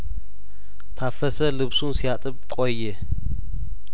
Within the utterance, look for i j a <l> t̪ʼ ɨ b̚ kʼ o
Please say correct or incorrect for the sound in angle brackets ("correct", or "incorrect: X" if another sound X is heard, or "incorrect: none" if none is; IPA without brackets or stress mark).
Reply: incorrect: none